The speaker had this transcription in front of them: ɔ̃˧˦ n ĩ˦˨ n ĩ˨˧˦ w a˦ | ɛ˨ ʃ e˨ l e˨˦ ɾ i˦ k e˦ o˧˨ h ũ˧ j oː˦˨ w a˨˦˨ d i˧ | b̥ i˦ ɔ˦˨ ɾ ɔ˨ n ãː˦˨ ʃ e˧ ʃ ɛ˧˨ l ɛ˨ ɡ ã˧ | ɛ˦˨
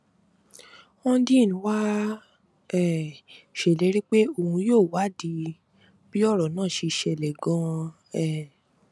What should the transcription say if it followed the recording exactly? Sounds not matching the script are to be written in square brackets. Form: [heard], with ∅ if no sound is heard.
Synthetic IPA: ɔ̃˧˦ [d] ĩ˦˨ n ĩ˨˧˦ w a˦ | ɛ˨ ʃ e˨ l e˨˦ ɾ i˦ [k͡p] e˦ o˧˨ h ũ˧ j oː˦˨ w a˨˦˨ d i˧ | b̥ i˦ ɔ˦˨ ɾ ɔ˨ n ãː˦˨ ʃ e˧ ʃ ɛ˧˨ l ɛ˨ ɡ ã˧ | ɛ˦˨

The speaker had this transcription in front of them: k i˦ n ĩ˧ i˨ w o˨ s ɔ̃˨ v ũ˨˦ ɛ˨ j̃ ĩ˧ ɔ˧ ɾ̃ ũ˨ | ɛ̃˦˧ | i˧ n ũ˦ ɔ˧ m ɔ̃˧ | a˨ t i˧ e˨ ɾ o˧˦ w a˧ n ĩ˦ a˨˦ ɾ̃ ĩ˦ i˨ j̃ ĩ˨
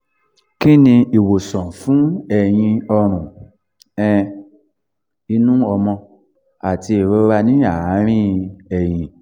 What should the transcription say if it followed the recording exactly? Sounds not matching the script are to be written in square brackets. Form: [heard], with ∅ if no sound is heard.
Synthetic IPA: k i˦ n ĩ˧ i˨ w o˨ s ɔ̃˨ [f] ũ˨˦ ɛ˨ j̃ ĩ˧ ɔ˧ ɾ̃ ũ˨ | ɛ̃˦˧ | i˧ n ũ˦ ɔ˧ m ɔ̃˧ | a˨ t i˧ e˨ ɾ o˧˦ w a˧ n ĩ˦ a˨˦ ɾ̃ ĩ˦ [ɛ˨] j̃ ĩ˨

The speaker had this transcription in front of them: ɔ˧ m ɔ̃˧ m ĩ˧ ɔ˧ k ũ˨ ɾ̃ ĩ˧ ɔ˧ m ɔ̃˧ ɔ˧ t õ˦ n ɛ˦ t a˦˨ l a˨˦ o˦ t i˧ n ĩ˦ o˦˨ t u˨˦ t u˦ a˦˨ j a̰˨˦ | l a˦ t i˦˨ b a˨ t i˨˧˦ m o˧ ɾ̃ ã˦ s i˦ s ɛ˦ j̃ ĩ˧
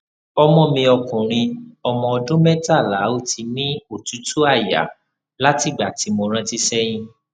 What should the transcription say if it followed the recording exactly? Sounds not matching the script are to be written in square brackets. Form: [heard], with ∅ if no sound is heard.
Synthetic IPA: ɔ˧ m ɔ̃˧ m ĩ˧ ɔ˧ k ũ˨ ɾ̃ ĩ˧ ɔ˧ m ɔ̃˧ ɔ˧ [d] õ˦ [m] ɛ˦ t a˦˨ l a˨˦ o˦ t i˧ n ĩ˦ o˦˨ t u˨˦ t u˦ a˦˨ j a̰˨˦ | l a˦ t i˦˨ [ɡ͡b] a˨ t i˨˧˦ m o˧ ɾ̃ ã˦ [t] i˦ s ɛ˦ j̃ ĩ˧

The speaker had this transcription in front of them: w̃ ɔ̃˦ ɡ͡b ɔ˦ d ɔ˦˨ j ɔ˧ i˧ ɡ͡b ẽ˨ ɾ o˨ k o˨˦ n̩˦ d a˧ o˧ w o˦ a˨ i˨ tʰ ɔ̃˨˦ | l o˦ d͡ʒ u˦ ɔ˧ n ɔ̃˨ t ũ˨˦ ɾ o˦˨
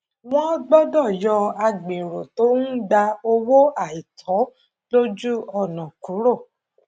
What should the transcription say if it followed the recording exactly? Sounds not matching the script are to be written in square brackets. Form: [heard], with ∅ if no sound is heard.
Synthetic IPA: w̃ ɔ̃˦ ɡ͡b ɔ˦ d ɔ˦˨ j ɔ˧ [a˧] ɡ͡b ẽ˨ ɾ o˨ [t] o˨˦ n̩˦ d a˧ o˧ w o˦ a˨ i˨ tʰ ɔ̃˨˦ | l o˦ d͡ʒ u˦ ɔ˧ n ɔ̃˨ [k] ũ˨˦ ɾ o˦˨

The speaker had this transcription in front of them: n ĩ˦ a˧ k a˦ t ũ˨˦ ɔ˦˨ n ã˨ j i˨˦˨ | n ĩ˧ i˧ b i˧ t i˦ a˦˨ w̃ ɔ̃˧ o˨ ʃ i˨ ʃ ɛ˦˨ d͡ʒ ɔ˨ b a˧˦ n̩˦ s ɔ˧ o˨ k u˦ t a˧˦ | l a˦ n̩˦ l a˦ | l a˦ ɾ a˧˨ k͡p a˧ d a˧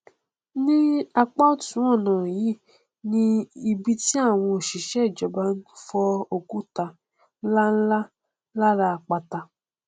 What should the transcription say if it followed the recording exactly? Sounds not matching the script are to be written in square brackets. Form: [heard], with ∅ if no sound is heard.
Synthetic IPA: n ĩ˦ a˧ [k͡p] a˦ t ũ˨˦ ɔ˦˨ n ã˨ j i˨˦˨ | n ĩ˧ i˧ b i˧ t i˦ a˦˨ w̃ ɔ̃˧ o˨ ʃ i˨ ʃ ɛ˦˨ d͡ʒ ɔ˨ b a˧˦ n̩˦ [f] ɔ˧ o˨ k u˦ t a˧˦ | l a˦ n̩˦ l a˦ | l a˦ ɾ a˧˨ k͡p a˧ [t] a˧

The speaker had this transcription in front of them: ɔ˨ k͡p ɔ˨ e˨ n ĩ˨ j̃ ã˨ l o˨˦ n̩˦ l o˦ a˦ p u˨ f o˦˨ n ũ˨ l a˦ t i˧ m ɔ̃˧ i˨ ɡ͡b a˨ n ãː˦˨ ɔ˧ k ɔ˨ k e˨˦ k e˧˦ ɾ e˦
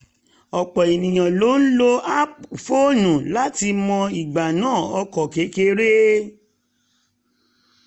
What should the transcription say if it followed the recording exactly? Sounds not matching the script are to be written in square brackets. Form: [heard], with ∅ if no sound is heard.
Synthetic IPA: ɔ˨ k͡p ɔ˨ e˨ n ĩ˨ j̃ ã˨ l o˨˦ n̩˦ l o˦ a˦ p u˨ f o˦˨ n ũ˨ l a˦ t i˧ m ɔ̃˧ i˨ ɡ͡b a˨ n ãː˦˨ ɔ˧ k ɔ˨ k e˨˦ k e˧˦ ɾ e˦

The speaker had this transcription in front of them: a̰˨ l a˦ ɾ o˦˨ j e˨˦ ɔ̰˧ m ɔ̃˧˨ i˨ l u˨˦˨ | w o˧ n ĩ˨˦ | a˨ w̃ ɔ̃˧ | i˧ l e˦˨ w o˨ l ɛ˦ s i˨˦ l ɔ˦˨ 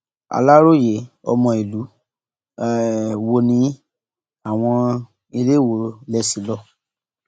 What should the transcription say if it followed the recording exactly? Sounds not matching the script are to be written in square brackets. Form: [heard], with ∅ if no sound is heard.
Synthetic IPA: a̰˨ l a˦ ɾ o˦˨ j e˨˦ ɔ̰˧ m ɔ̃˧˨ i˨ l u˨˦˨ | w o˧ n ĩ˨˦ | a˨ w̃ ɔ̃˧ | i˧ l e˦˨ w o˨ l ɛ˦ s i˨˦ l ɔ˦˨

